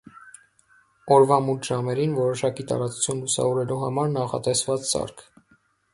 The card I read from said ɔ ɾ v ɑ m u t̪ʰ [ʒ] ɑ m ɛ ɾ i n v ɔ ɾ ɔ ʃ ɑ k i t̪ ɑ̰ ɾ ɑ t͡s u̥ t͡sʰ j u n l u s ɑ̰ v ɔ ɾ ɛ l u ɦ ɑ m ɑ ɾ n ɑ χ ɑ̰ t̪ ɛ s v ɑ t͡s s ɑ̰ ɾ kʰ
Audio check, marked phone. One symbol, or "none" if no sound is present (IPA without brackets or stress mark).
ʒ